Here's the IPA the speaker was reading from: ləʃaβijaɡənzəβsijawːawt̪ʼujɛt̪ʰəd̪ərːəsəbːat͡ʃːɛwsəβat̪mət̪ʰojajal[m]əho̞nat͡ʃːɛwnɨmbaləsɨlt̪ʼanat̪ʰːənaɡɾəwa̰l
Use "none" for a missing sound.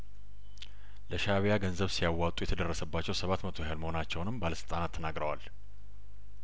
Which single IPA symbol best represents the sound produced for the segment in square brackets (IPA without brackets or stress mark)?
m